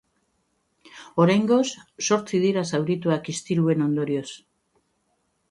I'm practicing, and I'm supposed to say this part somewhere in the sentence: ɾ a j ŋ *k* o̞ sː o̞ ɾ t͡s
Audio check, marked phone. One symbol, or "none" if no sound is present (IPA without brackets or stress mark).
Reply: ɡ